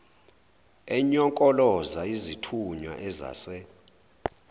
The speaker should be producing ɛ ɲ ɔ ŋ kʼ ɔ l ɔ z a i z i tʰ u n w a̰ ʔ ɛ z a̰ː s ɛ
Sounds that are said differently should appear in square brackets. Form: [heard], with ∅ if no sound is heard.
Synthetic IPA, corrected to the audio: ɛ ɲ ɔ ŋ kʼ ɔ l ɔ z a i z i tʰ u [ɲ] w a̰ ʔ ɛ z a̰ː s ɛ